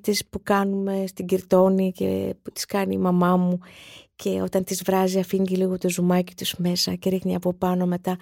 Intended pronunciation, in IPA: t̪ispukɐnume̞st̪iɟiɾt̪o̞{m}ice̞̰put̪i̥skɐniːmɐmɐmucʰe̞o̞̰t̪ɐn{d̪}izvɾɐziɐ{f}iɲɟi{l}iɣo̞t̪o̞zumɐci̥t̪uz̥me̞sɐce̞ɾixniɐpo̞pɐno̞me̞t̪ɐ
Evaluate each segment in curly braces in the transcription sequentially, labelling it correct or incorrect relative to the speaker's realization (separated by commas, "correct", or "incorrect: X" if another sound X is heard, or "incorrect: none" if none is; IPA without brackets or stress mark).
incorrect: n, incorrect: t̪, correct, correct